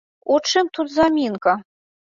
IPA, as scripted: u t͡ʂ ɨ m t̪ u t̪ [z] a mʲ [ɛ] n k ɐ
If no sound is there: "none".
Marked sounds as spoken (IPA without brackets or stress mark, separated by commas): z, i